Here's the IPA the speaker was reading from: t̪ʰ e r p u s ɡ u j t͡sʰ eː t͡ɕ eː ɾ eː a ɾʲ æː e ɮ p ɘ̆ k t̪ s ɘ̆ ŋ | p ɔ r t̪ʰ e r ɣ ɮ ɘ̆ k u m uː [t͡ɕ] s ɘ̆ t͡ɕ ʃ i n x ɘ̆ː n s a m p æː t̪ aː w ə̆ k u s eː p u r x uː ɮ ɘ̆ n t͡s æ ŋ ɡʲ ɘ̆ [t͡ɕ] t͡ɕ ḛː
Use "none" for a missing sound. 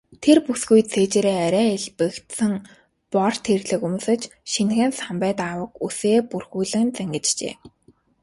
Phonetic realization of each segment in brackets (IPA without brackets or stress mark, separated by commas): none, t͡ɕ